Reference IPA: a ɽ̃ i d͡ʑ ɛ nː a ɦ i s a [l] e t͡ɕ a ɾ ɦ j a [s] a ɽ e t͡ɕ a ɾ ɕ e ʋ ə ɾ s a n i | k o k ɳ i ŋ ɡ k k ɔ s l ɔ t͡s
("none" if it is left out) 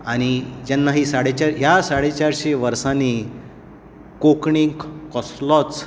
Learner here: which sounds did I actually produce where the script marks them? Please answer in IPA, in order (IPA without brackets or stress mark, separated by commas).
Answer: ɽ, s